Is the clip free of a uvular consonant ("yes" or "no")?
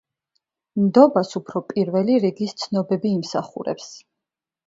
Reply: no